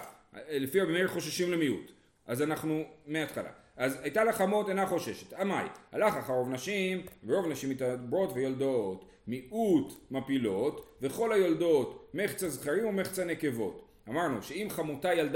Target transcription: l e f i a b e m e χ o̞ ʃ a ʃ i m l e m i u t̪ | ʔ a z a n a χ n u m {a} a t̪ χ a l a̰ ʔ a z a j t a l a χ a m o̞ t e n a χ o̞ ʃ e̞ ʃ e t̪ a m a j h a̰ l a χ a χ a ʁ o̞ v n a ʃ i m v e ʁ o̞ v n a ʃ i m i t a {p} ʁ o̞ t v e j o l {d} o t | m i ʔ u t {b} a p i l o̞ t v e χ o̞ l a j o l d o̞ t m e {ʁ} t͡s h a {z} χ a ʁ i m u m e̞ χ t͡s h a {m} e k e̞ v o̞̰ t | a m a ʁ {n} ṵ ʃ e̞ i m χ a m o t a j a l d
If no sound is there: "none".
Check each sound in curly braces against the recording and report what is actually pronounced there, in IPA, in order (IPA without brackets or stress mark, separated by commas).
e, b, d, m, χ, z, n, n